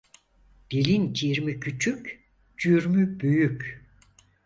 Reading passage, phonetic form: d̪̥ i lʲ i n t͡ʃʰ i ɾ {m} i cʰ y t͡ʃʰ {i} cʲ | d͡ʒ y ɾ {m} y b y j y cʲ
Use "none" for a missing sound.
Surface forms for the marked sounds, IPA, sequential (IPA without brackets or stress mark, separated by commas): m, y, m